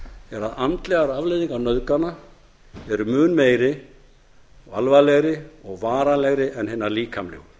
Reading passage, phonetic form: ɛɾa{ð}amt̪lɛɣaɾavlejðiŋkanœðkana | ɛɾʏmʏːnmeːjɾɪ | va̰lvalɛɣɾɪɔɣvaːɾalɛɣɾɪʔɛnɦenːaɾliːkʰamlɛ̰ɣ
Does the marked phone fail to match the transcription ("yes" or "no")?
no